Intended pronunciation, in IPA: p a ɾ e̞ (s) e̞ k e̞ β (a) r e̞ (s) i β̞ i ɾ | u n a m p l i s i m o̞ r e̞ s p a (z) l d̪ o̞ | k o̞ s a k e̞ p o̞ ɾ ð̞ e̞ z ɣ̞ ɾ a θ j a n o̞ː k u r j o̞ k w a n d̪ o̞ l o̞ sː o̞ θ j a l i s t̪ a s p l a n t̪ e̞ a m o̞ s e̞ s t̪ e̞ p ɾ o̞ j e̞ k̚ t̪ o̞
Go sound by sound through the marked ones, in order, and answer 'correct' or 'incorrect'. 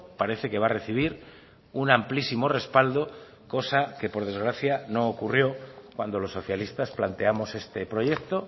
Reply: incorrect: θ, correct, incorrect: θ, incorrect: none

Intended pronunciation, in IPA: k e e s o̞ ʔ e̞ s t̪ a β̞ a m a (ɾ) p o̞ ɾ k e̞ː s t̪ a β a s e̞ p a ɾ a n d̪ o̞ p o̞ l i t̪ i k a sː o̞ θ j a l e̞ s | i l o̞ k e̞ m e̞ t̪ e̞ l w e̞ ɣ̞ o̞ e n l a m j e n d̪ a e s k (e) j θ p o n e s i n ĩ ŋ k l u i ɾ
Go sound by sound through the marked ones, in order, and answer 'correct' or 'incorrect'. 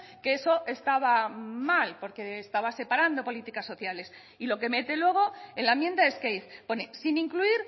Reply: incorrect: l, correct

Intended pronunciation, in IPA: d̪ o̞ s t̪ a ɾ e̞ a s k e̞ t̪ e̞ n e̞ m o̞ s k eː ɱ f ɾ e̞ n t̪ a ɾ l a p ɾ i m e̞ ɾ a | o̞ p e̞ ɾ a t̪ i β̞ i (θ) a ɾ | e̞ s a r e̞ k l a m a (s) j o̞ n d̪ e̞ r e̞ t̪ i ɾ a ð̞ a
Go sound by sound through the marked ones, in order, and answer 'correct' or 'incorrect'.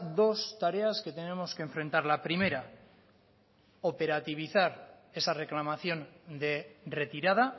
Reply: correct, incorrect: θ

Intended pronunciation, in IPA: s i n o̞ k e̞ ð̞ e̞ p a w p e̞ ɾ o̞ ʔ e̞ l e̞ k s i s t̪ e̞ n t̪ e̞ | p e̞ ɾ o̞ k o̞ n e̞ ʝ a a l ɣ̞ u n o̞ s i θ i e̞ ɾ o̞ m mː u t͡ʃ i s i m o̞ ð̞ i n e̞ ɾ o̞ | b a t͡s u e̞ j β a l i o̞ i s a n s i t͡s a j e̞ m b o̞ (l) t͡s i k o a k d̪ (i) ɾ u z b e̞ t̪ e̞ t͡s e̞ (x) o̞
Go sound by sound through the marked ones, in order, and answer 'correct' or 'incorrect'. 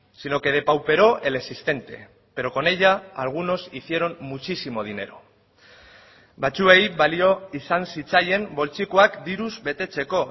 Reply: correct, correct, incorrect: k

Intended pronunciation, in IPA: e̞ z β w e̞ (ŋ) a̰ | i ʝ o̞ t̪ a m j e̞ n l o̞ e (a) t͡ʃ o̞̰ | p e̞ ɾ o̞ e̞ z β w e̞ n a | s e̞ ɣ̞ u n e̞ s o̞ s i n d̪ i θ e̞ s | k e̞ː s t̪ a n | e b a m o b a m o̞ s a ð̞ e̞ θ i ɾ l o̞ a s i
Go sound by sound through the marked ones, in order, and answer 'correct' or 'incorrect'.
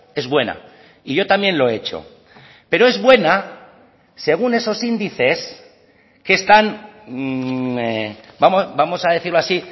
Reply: incorrect: n, incorrect: e

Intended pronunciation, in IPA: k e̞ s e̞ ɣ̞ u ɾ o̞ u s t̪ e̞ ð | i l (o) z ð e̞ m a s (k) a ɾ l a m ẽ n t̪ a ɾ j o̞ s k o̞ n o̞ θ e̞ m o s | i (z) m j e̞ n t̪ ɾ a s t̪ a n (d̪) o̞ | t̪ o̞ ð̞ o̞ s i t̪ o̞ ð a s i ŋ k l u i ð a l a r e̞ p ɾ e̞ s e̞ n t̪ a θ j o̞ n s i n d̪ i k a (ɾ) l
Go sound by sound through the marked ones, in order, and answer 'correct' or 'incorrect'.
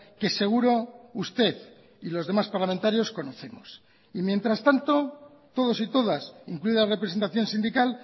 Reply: correct, incorrect: p, incorrect: none, incorrect: t̪, incorrect: none

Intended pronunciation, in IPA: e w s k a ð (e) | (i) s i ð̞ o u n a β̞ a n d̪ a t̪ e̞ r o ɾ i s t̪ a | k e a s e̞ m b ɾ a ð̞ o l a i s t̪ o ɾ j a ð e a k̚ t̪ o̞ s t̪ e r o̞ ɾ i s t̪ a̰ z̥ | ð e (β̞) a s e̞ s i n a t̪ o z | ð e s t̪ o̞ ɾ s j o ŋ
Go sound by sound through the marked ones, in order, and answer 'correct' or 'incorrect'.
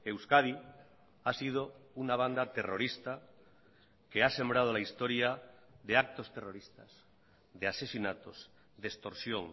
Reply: incorrect: i, incorrect: a, incorrect: none

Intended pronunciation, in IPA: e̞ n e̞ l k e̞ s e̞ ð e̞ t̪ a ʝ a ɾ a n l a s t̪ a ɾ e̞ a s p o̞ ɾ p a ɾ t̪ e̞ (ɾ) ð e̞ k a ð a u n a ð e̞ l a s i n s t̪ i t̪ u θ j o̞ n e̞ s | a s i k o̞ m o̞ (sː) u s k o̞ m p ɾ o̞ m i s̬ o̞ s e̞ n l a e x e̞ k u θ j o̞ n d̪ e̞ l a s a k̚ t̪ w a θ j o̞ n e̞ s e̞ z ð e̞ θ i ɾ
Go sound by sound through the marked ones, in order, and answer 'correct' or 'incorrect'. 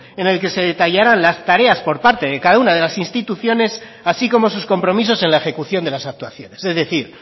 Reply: incorrect: none, incorrect: s

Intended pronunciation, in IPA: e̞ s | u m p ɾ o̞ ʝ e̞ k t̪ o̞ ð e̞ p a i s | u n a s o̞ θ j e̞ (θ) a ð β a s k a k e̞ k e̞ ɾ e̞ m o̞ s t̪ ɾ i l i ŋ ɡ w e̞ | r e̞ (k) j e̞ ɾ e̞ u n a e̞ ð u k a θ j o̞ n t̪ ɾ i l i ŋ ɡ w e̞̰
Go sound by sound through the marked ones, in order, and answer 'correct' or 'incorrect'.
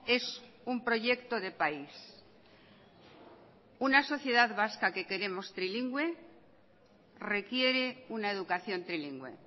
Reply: incorrect: ð, correct

